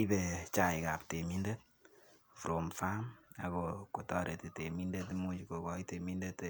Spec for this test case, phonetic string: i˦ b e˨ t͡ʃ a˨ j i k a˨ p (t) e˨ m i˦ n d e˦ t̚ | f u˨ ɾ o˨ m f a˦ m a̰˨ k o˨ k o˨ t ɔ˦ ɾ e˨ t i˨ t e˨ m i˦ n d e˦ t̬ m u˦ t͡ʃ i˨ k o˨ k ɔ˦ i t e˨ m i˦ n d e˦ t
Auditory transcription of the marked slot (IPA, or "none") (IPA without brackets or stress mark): t